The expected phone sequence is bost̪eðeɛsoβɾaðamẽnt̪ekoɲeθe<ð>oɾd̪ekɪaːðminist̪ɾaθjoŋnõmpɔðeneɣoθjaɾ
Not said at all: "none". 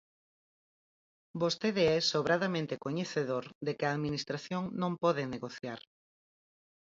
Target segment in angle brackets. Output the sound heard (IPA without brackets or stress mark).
ð